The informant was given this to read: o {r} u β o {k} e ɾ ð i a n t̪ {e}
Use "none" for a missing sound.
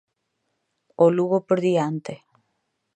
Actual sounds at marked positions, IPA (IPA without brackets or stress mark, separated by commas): l, p, e